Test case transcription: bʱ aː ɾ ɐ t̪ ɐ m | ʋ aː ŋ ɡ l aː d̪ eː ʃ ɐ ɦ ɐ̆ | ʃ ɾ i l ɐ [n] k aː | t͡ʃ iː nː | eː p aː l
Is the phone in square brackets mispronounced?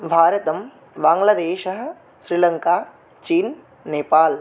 yes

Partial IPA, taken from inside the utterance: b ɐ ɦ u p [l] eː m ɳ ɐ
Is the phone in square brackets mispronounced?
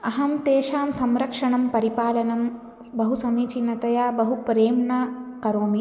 yes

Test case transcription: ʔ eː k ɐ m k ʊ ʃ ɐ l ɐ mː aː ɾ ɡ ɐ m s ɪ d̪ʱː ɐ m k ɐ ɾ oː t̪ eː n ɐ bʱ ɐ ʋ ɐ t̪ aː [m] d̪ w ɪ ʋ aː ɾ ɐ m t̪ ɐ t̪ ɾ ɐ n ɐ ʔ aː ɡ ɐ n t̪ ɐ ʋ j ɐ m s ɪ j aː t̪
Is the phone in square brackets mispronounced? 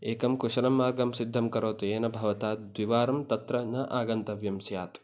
yes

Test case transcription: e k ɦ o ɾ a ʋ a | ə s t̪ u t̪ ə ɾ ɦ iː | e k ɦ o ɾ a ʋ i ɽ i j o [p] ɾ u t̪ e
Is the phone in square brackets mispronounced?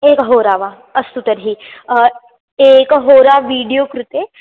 yes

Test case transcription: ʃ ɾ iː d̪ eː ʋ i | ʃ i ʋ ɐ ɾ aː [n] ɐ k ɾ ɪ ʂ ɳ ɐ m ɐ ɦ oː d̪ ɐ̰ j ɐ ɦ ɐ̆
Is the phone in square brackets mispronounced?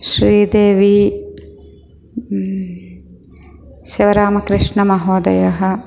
yes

